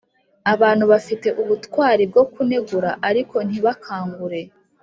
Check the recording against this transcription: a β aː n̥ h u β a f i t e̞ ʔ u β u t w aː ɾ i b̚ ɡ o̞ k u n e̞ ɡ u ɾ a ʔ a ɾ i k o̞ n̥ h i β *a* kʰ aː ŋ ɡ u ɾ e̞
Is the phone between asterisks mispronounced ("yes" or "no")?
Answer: no